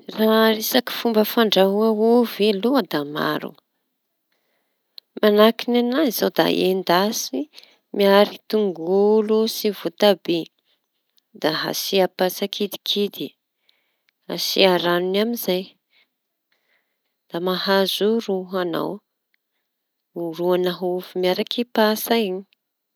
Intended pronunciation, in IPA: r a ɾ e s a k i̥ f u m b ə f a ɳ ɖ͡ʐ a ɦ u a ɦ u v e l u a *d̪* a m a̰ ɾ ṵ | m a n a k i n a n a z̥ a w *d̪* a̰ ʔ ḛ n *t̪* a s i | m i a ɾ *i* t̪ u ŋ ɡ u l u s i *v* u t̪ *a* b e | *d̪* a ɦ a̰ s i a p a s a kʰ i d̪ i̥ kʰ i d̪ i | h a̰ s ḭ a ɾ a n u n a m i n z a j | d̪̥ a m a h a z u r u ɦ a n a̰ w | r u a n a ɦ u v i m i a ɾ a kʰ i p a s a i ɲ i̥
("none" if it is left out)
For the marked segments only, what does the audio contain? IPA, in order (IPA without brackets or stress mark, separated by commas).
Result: d̪, d̪, d̪, i, v, a, d̪